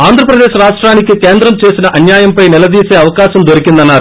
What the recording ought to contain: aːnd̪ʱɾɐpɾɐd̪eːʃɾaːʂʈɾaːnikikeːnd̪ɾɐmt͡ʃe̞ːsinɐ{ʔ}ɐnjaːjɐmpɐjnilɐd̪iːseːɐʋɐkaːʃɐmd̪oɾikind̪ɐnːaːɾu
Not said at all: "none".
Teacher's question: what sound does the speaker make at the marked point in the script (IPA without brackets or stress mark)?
ʔ